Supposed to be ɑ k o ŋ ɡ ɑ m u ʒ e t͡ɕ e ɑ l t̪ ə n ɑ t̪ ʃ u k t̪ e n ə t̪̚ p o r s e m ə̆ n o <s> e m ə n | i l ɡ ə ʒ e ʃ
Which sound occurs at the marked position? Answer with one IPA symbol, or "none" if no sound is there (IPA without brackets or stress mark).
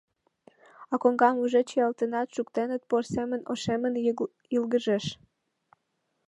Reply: ʃ